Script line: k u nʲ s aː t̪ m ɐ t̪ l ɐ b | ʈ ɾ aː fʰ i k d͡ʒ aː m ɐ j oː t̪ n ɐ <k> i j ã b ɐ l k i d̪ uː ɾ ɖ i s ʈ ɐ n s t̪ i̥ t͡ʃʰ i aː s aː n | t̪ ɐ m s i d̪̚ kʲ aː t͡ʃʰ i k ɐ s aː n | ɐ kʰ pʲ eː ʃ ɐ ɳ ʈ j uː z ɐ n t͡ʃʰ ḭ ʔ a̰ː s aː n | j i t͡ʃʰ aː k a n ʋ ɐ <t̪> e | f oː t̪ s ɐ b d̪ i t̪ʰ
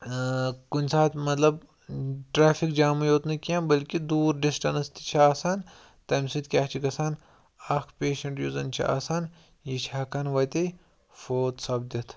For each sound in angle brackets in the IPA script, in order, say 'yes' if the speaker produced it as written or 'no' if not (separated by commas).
yes, yes